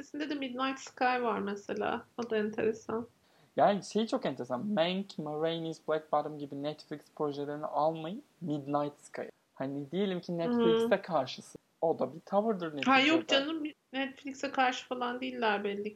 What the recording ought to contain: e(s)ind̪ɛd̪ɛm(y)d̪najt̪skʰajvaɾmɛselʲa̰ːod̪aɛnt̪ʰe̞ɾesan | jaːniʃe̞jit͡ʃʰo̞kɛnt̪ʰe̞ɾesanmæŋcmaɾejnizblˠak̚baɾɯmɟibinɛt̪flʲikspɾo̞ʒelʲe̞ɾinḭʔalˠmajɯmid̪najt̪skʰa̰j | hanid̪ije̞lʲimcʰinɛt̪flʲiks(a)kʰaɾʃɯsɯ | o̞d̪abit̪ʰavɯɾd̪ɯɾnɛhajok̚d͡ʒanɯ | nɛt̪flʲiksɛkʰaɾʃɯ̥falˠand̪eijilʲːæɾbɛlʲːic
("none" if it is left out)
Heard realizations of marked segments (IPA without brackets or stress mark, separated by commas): s, i, ɛ